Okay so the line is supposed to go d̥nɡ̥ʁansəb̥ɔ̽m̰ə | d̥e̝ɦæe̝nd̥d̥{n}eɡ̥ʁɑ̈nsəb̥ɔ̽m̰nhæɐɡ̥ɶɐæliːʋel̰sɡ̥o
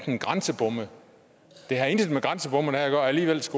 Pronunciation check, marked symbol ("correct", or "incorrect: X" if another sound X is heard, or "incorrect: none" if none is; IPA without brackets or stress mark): incorrect: m